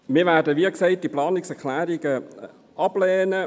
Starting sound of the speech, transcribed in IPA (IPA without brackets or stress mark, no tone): m